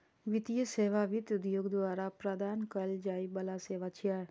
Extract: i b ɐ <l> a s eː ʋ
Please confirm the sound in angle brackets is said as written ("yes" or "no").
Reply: yes